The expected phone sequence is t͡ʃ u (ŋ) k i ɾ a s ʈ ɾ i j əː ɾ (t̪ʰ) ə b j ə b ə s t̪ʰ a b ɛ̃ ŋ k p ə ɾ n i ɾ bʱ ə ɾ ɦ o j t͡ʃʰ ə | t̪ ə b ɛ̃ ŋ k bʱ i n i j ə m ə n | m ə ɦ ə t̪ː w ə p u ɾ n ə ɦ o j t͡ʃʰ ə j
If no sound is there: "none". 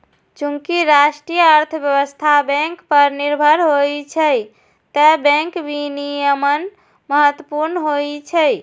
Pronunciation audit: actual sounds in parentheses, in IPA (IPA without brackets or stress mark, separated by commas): ŋ, t̪ʰ